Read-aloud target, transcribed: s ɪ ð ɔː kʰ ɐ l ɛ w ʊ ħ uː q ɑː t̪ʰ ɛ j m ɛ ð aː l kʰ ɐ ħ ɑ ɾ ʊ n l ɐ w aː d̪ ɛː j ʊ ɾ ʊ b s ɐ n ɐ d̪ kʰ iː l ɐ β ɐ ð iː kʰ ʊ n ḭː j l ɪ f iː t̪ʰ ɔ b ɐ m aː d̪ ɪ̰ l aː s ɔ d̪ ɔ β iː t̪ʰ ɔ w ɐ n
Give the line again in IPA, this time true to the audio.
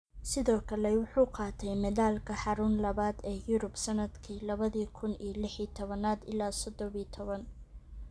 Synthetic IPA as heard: s ɪ ð ɔː kʰ ɐ l ɛ w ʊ ħ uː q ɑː t̪ʰ ɛ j m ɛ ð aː l kʰ ɐ ħ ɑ ɾ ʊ n l ɐ β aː d̪ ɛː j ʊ ɾ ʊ b s ɐ n ɐ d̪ kʰ iː l ɐ β ɐ ð iː kʰ ʊ n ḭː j l ɪ ħ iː t̪ʰ ɔ β ɐ n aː d̪ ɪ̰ l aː s ɔ d̪ ɔ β iː t̪ʰ ɔ β ɐ n

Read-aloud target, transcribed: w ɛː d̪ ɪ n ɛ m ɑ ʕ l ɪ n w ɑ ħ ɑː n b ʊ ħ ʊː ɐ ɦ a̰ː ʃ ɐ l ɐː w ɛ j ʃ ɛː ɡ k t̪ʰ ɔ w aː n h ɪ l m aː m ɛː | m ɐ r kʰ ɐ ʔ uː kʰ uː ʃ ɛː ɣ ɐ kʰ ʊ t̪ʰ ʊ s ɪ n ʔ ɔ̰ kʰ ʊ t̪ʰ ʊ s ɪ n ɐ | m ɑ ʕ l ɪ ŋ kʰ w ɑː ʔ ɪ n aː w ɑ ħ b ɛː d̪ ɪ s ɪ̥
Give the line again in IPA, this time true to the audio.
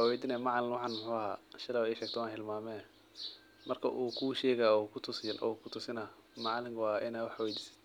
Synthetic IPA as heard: w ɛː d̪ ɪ n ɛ m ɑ ʕ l ɪ n w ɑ ħ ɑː n m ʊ ħ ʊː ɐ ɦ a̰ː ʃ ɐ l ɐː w ɛ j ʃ ɛː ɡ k t̪ʰ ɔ w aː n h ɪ l m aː m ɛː | m ɐ r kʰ ɐ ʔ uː kʰ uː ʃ ɛː ɣ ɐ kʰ ʊ t̪ʰ ʊ s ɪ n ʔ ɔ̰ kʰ ʊ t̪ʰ ʊ s ɪ n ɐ | m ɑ ʕ l ɪ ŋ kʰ w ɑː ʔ ɪ n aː w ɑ ħ w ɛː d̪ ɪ s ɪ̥

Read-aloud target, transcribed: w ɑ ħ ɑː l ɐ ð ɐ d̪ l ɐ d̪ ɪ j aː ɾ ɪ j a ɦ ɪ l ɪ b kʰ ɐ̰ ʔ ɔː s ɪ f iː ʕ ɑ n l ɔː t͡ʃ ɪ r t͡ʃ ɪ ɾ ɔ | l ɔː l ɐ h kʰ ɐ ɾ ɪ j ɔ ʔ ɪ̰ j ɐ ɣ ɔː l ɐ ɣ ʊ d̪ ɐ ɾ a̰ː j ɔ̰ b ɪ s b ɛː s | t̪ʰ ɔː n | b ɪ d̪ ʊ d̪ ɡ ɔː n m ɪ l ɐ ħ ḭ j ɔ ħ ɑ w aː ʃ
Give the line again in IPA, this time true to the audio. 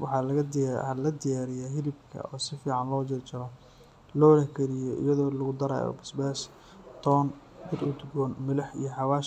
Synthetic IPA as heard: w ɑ ħ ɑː l ɐ ɣ ɐ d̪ l ɐ d̪ ɪ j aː ɾ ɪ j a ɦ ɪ l ɪ b kʰ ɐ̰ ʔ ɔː s ɪ f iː ʕ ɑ n l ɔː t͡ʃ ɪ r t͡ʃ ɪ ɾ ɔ | l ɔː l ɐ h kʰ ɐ ɾ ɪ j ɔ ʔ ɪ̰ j ɐ ð ɔː l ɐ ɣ ʊ d̪ ɐ ɾ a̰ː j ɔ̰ b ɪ s b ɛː s | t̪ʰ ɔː n | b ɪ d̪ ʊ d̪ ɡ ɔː n m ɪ l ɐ ħ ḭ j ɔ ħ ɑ w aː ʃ

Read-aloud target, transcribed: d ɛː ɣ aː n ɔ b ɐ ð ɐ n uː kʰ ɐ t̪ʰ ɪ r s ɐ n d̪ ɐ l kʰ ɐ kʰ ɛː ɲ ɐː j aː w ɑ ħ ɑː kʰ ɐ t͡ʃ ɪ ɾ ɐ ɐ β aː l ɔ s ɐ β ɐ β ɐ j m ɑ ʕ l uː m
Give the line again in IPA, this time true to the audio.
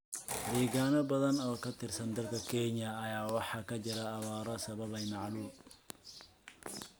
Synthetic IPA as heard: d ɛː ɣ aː n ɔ b ɐ ð ɐ n ɔː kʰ ɐ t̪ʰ ɪ r s ɐ n d̪ ɐ l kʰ ɐ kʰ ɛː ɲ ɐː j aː w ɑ ħ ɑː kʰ ɐ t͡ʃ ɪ ɾ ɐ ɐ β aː ɾ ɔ s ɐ β ɐ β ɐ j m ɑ ʕ l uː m

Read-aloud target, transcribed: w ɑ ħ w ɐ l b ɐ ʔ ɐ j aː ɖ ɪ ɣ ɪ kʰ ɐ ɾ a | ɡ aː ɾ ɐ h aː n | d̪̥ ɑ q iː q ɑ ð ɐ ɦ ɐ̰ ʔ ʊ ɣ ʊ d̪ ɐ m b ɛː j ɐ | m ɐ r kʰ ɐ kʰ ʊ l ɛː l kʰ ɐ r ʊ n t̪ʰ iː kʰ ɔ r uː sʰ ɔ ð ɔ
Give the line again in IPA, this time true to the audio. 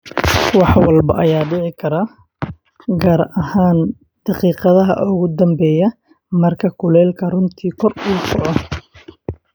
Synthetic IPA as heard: w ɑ ħ w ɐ l b ɐ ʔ ɐ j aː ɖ ɪ ʕ ɪ kʰ ɐ ɾ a | ɡ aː ɾ ɐ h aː n | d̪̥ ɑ q iː q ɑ ð ɐ ɦ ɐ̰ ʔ ʊ ɣ ʊ d̪ ɐ m b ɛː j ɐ | m ɐ r kʰ ɐ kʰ ʊ l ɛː l kʰ ɐ r ʊ n t̪ʰ iː kʰ ɔ r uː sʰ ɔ ʕ ɔ

